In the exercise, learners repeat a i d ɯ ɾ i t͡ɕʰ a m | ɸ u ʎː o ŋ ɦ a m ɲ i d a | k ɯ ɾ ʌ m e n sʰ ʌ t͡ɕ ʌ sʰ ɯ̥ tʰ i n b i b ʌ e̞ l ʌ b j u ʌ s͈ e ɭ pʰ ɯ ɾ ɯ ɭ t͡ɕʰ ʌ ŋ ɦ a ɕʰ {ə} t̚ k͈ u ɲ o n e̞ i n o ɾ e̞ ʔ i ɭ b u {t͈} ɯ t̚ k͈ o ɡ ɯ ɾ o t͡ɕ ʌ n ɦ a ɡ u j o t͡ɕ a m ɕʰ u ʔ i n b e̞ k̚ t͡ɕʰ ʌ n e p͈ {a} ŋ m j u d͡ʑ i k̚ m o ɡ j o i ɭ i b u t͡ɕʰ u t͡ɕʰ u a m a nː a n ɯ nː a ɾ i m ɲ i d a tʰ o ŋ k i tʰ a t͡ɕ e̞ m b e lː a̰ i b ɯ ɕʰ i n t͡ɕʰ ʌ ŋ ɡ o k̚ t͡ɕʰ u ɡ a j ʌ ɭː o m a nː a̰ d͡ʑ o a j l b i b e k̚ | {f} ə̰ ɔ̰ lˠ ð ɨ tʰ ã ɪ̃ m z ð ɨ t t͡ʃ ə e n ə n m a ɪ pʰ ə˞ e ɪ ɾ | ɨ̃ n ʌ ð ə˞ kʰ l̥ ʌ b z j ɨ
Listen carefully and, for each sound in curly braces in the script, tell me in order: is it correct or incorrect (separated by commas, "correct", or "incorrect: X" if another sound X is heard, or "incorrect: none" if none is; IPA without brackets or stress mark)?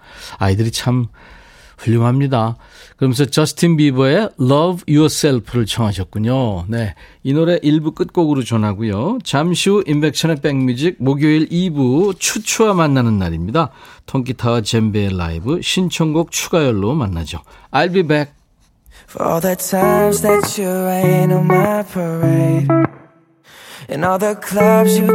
incorrect: ʌ, incorrect: k͈, incorrect: e, correct